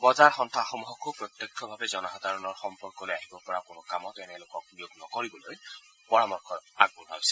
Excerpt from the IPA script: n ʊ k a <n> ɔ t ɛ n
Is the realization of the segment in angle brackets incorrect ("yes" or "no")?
yes